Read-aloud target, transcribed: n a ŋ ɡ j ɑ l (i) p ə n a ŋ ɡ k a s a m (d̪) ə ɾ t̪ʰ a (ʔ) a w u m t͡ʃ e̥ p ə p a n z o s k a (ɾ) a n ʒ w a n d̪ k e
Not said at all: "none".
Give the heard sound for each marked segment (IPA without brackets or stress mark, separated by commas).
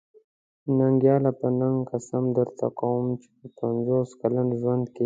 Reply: a, d̪, k, l